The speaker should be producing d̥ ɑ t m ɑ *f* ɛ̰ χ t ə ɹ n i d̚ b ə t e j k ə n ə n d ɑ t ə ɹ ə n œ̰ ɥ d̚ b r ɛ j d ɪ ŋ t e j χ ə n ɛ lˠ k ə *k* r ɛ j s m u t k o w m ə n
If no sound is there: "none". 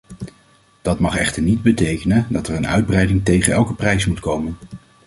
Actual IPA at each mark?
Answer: χ, p

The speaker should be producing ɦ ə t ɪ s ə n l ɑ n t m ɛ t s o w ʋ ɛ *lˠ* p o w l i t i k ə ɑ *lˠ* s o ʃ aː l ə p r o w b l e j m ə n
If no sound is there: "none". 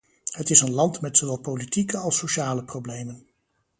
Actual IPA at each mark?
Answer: lˠ, lˠ

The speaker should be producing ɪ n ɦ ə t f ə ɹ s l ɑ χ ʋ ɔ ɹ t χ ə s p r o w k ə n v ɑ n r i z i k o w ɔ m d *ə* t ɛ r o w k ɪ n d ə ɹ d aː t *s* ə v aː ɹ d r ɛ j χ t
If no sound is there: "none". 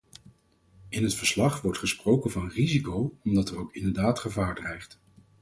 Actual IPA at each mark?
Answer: ɑ, χ

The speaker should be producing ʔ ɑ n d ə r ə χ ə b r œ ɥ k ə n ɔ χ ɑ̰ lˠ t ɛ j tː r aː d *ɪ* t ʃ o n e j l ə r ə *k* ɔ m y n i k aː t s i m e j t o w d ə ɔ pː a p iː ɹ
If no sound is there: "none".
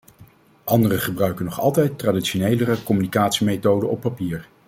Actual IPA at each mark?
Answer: i, k

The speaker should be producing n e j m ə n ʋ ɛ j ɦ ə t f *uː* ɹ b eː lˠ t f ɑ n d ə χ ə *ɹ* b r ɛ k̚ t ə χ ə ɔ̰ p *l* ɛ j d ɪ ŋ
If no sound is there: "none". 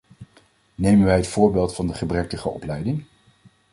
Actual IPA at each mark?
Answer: ʊː, none, l

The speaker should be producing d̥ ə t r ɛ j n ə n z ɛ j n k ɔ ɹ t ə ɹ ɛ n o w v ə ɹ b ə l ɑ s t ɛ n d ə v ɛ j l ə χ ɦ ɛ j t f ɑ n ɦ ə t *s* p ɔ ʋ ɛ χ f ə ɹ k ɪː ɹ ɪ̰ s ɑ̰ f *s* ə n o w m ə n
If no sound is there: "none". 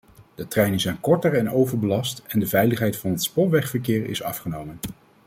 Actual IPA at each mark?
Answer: s, χ

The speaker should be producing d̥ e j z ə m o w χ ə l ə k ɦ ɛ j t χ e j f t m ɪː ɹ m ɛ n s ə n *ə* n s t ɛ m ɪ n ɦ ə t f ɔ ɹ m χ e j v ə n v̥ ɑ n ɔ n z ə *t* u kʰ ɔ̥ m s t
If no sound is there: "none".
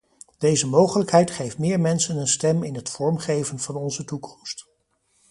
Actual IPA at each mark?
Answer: ə, t

